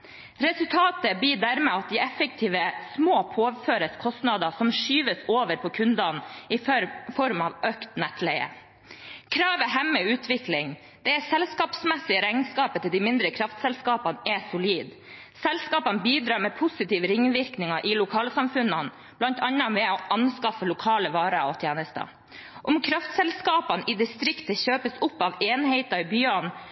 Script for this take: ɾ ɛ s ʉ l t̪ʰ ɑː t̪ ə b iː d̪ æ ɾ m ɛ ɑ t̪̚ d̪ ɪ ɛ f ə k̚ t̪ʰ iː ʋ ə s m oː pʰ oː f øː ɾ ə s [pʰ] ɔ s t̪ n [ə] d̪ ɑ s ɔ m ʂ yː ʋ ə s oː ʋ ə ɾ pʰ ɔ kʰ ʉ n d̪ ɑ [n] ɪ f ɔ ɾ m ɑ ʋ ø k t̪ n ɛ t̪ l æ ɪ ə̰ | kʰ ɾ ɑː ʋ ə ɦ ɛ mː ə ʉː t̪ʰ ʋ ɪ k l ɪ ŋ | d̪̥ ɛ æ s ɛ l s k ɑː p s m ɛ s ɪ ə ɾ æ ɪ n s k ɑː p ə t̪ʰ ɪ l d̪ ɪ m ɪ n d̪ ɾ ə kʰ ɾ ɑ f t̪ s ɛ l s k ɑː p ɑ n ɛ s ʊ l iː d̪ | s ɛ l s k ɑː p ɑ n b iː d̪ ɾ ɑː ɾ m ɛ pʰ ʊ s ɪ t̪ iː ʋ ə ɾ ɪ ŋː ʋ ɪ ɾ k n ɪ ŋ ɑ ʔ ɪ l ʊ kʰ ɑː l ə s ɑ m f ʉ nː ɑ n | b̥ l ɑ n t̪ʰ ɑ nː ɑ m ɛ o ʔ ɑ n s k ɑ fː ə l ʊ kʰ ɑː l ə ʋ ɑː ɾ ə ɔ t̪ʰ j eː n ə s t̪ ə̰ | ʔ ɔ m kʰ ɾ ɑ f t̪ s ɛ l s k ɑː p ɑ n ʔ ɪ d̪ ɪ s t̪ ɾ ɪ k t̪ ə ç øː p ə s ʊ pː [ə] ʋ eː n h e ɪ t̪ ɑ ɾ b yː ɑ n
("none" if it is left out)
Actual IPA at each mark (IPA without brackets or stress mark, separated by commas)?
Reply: kʰ, ɑ, n, ɑ